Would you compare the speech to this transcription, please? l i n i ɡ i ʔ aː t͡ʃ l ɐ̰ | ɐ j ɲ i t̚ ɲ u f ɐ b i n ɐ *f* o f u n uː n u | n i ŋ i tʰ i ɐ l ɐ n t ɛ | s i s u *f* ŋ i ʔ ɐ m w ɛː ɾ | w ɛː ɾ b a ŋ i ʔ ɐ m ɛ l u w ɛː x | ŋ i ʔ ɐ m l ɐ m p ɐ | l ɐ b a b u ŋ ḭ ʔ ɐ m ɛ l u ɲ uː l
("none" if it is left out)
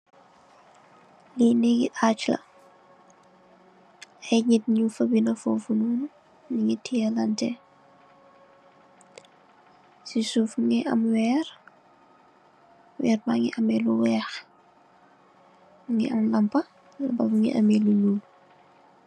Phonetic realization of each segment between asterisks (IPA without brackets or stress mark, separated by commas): f, f